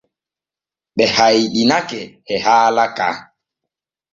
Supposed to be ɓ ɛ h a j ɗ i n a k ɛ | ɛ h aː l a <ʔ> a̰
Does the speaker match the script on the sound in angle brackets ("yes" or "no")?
no